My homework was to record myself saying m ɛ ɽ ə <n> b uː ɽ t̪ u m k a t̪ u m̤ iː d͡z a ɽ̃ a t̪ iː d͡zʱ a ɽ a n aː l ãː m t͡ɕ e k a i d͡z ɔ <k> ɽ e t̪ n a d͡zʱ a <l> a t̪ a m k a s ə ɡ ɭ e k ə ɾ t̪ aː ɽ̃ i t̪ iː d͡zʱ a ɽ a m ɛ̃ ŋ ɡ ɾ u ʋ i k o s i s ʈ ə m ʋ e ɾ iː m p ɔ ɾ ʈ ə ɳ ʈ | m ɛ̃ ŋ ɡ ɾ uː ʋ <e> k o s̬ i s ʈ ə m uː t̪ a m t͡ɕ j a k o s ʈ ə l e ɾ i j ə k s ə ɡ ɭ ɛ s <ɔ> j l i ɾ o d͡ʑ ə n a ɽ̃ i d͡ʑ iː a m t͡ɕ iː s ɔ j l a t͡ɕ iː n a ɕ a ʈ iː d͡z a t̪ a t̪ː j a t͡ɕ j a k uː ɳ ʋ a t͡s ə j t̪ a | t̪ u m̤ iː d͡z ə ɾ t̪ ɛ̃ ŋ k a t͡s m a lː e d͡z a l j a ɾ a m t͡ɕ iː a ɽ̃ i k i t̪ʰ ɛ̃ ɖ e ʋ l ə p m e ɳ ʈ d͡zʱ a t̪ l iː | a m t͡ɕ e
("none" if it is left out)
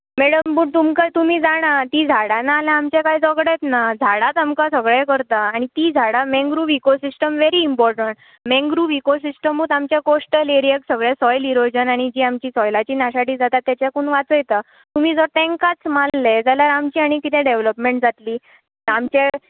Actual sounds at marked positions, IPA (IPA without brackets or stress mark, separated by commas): m, ɡ, ɽ, i, ɔ